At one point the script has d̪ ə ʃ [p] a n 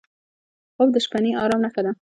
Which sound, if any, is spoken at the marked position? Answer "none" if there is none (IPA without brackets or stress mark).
p